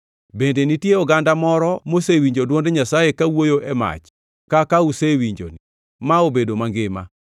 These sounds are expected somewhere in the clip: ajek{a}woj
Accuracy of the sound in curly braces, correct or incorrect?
correct